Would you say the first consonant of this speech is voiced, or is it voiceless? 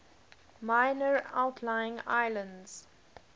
voiced